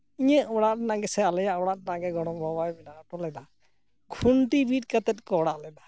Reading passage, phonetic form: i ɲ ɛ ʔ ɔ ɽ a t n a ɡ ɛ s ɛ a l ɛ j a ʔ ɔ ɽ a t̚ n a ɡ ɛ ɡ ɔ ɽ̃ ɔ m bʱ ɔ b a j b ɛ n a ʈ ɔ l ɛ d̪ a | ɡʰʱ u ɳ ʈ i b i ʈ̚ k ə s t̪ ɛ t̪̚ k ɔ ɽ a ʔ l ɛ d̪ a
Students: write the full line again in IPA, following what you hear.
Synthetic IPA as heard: i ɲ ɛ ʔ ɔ ɽ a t n a ɡ ɛ s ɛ a l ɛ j a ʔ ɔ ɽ a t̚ n a ɡ ɛ ɡ ɔ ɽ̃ ɔ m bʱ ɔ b a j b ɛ n a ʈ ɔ l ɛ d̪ a | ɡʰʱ u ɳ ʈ i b i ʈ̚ k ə t̪ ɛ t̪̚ k ɔ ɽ a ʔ l ɛ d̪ a